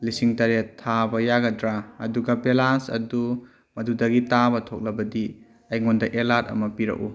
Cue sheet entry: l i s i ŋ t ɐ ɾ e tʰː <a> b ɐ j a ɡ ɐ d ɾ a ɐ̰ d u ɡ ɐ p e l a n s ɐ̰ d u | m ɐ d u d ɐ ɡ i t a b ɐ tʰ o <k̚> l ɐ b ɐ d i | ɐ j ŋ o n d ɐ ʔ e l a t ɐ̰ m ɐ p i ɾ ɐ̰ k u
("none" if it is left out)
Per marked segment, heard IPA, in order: a, k̚

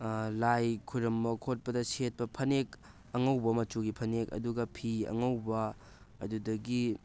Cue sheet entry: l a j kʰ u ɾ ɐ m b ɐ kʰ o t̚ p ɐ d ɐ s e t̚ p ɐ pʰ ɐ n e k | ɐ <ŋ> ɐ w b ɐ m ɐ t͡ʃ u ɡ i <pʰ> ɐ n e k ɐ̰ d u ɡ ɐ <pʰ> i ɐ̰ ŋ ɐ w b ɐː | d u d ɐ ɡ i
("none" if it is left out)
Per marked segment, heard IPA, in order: ŋ, pʰ, pʰ

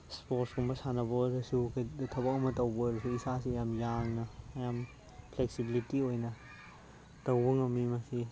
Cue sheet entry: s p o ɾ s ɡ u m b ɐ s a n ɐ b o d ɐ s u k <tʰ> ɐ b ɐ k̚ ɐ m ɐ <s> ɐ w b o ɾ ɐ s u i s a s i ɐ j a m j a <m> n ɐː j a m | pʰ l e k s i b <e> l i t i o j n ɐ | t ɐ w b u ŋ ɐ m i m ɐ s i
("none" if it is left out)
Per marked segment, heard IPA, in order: tʰ, t, ŋ, i

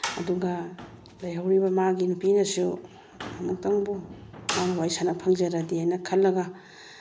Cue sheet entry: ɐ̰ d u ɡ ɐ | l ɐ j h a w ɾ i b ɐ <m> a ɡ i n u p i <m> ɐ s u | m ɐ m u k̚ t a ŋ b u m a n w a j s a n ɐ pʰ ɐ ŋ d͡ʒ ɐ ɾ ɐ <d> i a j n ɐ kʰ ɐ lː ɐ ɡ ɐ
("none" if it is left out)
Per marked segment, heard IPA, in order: m, n, d

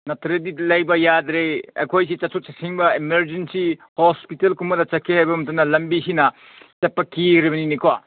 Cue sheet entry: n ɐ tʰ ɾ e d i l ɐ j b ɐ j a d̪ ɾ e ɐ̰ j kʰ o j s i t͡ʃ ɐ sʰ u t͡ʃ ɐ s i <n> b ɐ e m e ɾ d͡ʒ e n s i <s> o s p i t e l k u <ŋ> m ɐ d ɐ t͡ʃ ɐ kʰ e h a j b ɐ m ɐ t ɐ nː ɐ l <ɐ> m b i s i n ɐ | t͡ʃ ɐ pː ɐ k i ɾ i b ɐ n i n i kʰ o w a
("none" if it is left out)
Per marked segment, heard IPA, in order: ŋ, h, none, ɐ

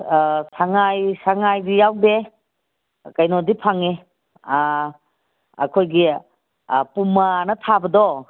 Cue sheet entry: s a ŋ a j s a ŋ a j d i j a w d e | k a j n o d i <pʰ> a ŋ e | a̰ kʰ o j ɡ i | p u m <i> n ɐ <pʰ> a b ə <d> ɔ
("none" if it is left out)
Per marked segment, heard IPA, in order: pʰ, a, tʰ, d

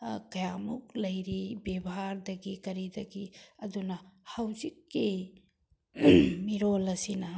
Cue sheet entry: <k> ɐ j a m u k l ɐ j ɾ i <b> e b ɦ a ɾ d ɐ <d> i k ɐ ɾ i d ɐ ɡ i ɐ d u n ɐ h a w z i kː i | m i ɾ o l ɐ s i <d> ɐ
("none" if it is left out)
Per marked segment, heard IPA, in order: k, b, ɡ, n

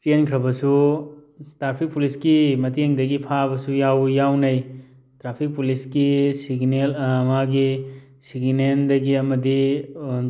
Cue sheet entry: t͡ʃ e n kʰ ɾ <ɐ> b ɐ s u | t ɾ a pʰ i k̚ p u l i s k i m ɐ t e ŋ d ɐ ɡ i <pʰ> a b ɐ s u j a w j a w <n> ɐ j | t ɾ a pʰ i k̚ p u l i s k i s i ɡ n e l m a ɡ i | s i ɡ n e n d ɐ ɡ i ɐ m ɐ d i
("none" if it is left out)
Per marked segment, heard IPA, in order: ɐ, pʰ, n

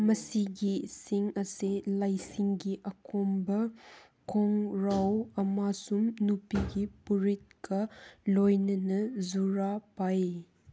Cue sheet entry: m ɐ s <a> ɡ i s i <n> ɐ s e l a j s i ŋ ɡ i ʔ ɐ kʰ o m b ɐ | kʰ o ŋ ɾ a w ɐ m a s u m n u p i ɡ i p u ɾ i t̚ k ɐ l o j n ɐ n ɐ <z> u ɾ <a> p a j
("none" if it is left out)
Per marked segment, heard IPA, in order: i, ŋ, z, a

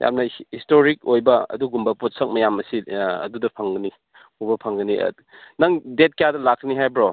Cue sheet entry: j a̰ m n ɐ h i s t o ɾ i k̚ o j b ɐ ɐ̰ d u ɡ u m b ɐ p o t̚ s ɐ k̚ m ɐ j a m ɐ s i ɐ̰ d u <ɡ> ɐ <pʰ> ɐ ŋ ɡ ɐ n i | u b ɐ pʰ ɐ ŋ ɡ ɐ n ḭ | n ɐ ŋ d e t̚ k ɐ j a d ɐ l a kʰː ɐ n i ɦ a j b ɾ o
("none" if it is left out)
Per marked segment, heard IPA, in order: d, pʰ

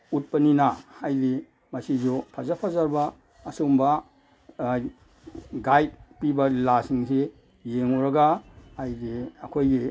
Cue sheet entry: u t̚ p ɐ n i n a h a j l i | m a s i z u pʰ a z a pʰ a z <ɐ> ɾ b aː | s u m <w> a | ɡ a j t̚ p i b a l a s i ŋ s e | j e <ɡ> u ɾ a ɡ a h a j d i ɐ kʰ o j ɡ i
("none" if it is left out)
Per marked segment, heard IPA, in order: a, b, ŋ

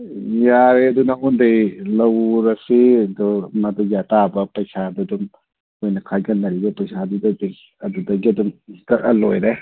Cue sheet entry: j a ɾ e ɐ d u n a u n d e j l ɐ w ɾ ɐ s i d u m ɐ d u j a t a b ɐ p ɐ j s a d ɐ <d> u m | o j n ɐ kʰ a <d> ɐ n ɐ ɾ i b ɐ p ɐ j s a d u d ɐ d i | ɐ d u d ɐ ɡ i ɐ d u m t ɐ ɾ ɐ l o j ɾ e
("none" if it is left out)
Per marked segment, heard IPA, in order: d, ɡ

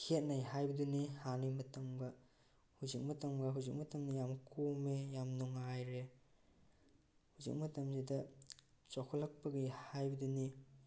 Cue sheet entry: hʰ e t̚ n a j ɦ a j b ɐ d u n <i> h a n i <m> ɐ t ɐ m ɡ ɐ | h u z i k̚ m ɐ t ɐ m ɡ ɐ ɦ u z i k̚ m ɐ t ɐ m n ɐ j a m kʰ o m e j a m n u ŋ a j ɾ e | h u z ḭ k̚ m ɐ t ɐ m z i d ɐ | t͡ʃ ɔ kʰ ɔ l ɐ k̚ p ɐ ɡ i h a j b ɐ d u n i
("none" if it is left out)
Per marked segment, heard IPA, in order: i, m

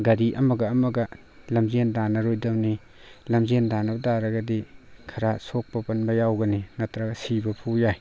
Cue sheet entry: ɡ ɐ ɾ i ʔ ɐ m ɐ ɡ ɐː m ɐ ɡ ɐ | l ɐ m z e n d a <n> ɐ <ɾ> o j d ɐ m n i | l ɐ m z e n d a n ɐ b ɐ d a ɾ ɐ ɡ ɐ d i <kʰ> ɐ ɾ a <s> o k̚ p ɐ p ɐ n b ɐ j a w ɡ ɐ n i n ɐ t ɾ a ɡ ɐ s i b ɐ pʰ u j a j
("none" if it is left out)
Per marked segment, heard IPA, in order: n, ɾ, kʰ, s

